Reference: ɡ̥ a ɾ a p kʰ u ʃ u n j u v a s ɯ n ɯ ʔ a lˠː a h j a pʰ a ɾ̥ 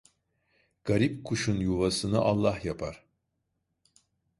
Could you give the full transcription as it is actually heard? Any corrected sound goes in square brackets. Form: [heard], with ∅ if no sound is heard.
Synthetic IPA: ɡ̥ a ɾ [i] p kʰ u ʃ u n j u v a s ɯ n ɯ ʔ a lˠː a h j a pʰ a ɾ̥